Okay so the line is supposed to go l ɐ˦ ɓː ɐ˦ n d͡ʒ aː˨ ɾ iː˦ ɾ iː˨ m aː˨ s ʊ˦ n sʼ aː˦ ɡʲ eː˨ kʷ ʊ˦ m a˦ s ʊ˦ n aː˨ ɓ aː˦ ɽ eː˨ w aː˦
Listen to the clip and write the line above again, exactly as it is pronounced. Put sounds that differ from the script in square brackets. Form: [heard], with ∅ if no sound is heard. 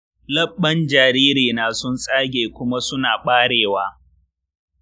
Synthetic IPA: l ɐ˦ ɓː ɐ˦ n d͡ʒ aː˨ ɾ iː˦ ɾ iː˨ [n] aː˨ s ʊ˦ n sʼ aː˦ ɡʲ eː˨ kʷ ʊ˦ m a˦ s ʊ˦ n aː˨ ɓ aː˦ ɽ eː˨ w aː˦